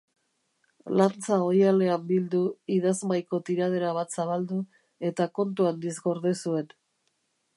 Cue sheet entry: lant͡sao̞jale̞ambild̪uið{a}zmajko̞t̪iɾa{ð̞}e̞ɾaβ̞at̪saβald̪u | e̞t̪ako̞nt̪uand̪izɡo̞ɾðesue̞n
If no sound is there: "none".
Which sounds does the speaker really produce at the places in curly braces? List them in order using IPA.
a, ð̞

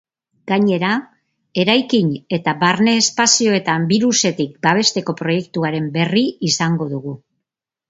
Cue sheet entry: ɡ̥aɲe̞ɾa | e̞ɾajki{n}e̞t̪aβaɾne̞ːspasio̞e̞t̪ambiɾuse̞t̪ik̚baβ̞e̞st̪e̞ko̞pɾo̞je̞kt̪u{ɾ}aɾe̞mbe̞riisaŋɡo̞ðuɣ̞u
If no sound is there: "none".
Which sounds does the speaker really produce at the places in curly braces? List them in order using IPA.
ɲ, none

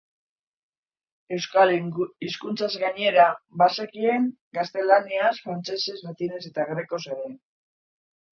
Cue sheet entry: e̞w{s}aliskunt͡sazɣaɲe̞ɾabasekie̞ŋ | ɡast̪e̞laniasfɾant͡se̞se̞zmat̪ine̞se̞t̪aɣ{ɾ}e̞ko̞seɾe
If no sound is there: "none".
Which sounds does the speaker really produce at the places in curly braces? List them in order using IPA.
s, ɾ

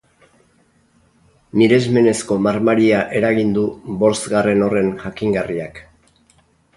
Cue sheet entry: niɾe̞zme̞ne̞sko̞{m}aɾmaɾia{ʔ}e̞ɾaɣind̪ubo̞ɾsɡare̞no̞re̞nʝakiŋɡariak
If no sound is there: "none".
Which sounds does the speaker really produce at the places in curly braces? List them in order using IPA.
m, ʔ

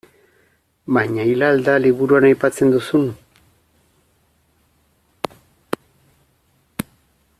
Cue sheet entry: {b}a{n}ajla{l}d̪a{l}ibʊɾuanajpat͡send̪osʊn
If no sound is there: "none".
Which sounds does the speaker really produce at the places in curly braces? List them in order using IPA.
m, ɲ, l, l

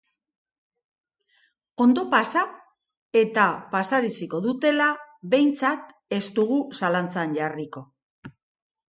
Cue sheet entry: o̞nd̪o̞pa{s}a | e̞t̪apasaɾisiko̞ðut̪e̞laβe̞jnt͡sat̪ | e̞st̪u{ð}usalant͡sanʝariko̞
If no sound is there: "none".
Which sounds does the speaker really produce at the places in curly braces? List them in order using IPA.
s, ɣ

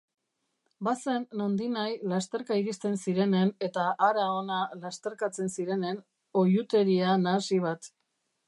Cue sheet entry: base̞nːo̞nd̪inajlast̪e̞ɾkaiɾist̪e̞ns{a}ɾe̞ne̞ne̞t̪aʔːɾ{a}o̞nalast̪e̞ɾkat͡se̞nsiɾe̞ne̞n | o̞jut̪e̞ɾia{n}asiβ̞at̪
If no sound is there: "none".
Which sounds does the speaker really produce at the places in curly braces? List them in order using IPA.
i, a, n

